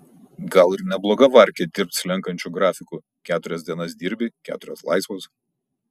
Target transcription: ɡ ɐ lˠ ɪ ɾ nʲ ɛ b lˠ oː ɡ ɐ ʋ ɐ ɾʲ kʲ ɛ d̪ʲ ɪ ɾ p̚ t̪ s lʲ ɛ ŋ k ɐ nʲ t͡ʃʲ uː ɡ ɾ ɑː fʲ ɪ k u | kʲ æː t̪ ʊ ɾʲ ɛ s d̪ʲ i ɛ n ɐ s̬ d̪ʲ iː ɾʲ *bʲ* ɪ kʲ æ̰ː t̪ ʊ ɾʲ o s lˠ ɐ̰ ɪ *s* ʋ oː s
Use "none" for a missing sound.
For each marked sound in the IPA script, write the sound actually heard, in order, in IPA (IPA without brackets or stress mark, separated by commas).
bʲ, s